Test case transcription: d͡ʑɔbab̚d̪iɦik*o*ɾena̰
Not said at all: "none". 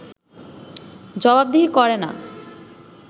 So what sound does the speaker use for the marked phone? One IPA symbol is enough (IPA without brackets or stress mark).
ɔ